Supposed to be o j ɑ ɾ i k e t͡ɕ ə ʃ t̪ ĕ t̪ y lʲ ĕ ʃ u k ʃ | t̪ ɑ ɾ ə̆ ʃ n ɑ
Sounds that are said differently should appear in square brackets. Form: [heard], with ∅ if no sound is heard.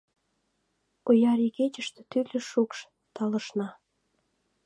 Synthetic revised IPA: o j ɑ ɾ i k e t͡ɕ ə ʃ t̪ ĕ t̪ y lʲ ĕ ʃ u k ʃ | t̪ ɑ [l] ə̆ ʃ n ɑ